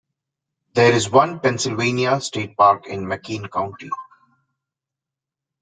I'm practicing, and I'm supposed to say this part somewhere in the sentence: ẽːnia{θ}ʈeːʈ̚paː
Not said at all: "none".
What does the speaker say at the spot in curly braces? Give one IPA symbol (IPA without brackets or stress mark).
s